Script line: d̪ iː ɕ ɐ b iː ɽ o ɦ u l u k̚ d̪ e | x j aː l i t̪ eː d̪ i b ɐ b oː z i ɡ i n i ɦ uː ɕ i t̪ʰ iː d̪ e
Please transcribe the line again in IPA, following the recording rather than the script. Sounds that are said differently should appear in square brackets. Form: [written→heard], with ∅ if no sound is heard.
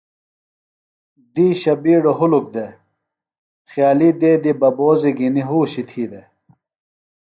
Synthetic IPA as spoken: d̪ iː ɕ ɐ b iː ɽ o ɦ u l u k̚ d̪ e | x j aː l i [t̪→d̪] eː d̪ i b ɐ b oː z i ɡ i n i ɦ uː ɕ i t̪ʰ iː d̪ e